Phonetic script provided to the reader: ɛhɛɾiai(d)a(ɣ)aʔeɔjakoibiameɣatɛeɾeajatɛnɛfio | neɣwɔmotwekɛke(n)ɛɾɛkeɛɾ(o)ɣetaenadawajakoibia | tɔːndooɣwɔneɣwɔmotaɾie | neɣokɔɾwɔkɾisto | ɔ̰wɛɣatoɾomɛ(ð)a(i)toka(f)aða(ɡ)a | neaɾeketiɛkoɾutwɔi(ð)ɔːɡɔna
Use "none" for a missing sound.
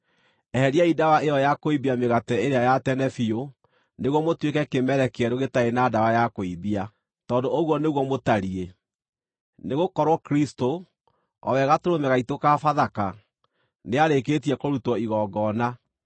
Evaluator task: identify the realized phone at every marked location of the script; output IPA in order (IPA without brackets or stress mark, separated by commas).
d, w, m, o, ɣ, i, f, k, ɣ